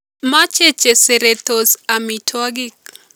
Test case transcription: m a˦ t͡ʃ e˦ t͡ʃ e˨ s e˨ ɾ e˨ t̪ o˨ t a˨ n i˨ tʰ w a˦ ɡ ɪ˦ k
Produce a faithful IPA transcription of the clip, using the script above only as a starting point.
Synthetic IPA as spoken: m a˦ t͡ʃ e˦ t͡ʃ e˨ s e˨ ɾ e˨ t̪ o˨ s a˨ m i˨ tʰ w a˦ ɡ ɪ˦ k

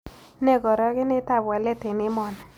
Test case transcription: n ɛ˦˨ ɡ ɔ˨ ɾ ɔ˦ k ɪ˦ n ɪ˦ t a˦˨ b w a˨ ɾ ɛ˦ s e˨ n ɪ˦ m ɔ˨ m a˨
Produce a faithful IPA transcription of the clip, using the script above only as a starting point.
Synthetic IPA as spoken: n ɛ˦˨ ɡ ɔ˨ ɾ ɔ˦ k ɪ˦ n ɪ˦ t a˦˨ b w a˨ l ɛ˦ t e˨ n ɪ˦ m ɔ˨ n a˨

